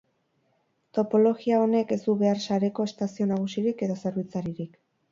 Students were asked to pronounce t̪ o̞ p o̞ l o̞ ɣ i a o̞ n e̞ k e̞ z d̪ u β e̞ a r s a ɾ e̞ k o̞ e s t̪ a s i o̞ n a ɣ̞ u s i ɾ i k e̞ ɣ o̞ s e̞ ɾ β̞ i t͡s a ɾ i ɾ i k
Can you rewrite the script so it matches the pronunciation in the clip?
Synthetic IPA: t̪ o̞ p o̞ l o̞ ɣ i a o̞ n e̞ k e̞ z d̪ u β e̞ a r s a ɾ e̞ k o̞ e s t̪ a s i o̞ n a ɣ̞ u s i ɾ i k e̞ ð o̞ s e̞ ɾ β̞ i t͡s a ɾ i ɾ i k